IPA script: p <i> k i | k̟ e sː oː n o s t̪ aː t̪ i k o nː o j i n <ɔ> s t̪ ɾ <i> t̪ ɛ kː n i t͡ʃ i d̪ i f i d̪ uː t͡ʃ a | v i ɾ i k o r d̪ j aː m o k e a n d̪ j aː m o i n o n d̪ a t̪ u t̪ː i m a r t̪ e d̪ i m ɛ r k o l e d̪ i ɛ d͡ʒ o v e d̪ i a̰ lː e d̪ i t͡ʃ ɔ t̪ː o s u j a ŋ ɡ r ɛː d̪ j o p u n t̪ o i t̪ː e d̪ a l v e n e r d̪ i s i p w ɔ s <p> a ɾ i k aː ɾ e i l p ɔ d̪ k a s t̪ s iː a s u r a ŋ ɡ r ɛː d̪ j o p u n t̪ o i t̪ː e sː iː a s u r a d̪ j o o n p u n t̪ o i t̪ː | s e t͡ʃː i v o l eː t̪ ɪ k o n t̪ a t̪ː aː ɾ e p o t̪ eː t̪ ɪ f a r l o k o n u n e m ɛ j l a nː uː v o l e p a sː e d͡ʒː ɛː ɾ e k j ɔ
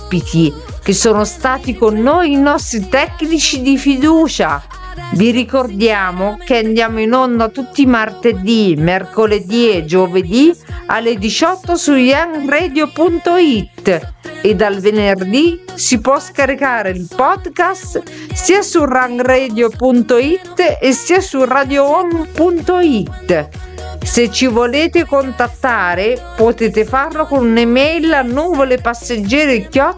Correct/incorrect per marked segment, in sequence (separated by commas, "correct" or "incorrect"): correct, correct, correct, incorrect